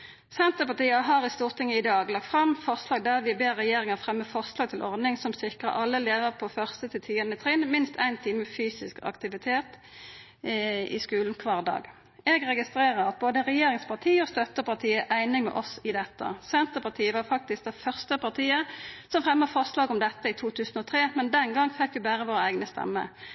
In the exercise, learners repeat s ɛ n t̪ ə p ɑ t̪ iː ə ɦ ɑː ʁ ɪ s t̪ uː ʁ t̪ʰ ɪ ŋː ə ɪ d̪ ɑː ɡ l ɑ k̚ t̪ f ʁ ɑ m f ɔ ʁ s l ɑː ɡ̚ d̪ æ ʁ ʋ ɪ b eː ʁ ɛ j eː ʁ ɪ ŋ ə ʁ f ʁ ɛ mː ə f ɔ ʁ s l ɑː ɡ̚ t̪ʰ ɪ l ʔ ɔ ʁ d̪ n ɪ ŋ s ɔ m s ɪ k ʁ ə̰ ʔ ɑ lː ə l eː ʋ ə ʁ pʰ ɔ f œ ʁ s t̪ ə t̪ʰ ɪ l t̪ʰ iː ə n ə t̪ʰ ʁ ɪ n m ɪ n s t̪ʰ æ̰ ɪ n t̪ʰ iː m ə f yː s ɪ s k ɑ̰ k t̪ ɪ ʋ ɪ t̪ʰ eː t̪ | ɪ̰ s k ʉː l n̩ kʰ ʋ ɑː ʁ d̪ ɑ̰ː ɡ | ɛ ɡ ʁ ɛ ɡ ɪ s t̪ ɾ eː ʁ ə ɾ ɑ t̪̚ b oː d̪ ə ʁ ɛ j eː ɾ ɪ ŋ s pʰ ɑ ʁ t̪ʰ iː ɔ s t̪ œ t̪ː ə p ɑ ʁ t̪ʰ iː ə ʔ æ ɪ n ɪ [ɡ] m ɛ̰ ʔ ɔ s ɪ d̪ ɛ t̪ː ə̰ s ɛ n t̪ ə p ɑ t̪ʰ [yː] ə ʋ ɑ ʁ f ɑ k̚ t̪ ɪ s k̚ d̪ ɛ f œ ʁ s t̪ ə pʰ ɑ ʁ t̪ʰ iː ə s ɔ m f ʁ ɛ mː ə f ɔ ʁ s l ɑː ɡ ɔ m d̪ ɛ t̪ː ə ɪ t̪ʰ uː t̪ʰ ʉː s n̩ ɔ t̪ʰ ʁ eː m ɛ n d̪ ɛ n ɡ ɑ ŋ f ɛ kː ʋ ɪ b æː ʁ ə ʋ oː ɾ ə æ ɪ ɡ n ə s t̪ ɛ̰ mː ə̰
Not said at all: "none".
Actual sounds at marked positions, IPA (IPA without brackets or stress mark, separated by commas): ŋ, iː